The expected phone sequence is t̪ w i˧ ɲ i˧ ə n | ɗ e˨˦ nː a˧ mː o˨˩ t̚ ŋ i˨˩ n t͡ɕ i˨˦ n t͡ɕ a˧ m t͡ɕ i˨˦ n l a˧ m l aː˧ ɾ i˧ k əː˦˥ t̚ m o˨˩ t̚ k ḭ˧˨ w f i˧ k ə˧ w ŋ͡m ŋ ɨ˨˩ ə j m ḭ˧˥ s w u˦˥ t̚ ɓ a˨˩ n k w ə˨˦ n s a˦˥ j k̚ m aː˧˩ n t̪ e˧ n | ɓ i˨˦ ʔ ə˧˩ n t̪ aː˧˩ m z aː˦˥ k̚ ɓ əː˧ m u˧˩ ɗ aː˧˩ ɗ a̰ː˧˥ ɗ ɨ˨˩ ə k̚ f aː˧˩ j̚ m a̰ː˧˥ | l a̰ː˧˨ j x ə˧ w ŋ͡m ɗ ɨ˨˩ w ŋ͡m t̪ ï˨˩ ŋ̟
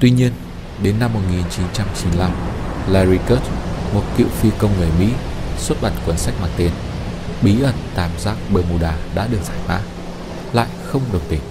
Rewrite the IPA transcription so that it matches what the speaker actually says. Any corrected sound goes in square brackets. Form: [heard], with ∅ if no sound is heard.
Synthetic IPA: t̪ w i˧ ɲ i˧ ə n | ɗ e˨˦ nː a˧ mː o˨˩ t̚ ŋ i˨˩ n t͡ɕ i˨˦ n t͡ɕ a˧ m t͡ɕ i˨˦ n l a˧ m l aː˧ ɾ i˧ k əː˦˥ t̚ m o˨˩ t̚ k ḭ˧˨ w f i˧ k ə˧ w ŋ͡m ŋ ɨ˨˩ ə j m ḭ˧˥ s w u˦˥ t̚ ɓ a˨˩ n k w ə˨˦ n s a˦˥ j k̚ m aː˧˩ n t̪ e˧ n | ɓ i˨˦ ʔ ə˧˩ n t̪ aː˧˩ m z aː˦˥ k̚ ɓ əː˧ m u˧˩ ɗ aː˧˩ ɗ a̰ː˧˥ ɗ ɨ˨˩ ə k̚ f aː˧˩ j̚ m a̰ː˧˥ | l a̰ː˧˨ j x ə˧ w ŋ͡m ɗ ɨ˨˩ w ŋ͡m t̪ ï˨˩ ŋ̟